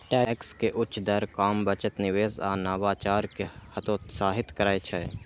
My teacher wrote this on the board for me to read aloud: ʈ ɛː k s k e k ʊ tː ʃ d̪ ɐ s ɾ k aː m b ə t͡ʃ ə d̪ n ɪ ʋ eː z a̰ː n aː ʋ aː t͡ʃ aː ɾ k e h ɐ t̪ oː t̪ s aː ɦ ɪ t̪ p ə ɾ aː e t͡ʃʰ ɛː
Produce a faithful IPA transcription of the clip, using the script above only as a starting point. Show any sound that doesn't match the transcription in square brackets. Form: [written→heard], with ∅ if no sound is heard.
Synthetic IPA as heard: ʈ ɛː k s k e [k→ʔ] ʊ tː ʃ d̪ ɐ [s→∅] ɾ k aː m b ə t͡ʃ ə [d̪→t̪] n ɪ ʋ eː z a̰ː n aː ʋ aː t͡ʃ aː ɾ k e h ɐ t̪ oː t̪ s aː ɦ ɪ t̪ [p→k] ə ɾ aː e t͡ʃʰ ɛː